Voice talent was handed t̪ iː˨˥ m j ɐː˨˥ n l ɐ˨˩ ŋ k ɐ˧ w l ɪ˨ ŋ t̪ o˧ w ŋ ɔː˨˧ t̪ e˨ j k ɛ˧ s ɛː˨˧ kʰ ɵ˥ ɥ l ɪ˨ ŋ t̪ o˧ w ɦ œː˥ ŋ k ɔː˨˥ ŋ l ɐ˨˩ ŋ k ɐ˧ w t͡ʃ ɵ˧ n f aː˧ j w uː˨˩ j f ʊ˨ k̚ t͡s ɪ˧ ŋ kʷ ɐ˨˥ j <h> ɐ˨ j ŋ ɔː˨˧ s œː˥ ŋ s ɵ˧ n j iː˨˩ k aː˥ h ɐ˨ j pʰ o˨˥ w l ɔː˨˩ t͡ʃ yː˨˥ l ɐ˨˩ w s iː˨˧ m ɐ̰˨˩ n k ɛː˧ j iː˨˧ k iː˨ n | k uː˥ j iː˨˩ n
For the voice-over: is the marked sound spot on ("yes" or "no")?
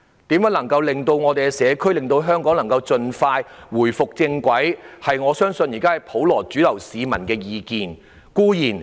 yes